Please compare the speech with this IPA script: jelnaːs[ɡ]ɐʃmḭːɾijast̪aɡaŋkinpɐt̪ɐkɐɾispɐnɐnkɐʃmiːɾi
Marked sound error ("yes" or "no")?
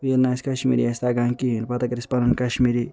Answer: yes